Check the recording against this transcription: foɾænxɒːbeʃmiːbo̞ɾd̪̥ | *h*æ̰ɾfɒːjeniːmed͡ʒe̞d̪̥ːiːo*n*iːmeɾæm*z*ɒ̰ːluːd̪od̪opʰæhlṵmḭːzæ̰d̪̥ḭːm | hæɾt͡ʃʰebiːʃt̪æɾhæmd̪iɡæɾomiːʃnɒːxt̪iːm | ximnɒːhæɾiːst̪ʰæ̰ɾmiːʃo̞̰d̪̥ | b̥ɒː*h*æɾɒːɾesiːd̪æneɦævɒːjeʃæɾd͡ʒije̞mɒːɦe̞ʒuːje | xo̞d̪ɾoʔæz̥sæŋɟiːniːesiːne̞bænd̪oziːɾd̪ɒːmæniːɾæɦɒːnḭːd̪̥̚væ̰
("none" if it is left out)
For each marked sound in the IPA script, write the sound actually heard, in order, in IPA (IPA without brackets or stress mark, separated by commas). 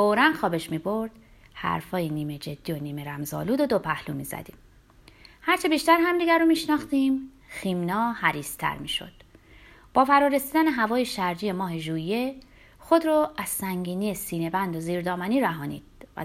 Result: h, n, z, f